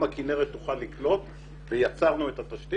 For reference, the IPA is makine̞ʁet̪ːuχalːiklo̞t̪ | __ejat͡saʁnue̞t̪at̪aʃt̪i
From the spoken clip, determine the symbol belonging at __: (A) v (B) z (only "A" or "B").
A